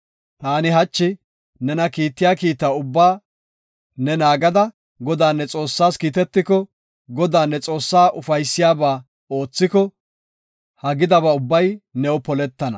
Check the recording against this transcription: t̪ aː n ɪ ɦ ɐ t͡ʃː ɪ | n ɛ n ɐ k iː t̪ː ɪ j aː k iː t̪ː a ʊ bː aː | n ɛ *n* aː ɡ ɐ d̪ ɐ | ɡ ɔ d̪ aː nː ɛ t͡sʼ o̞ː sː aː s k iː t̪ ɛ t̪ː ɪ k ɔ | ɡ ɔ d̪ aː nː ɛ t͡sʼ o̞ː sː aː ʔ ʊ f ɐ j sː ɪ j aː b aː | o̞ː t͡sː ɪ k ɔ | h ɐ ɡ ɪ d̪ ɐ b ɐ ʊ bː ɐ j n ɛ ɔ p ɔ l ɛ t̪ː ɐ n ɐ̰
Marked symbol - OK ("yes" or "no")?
yes